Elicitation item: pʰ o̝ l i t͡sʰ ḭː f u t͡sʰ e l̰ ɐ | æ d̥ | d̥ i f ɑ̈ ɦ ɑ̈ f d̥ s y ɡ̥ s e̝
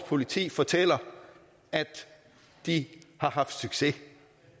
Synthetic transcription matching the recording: pʰ o̝ l i t͡sʰ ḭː f ɒ t͡sʰ e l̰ ɐ | æ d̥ | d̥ i h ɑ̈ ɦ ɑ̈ f d̥ s y ɡ̥ s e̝